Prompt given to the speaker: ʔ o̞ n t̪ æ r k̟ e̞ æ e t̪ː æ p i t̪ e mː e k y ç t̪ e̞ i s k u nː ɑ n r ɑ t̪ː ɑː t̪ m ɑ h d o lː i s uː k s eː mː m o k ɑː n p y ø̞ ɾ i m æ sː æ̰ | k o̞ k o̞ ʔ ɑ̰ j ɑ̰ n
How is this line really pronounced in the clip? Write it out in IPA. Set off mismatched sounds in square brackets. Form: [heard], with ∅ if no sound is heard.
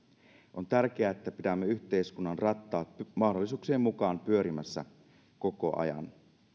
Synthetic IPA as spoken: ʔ o̞ n t̪ æ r k̟ e̞ æ e t̪ː æ p i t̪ [æ] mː e [∅] y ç t̪ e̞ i s k u nː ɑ n r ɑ t̪ː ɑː t̪ m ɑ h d o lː i s uː k s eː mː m [u] k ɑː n p y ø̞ ɾ i m æ sː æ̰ | k o̞ k o̞ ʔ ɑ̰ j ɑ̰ n